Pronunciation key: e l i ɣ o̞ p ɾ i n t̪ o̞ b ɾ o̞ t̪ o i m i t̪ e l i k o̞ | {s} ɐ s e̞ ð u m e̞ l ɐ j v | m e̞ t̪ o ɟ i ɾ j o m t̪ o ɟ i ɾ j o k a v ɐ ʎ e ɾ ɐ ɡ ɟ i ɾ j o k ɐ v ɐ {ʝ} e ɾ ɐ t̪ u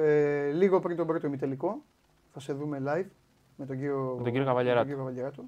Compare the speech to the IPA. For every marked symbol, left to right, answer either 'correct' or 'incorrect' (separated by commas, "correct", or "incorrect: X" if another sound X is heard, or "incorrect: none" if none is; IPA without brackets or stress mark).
incorrect: θ, incorrect: ʎ